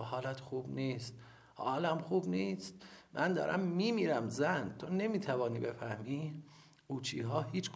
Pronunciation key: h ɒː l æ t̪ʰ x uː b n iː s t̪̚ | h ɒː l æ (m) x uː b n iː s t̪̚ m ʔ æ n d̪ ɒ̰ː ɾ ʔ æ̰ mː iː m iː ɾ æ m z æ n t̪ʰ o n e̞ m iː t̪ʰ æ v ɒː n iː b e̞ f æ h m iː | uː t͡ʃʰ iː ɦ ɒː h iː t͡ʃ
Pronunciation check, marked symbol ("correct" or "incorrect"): correct